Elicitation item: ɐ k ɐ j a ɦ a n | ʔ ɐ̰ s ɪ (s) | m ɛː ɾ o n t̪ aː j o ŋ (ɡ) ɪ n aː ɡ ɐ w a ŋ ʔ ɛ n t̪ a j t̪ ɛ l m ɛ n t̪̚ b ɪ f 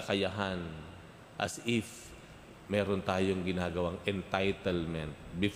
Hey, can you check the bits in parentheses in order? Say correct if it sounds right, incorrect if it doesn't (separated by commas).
incorrect, correct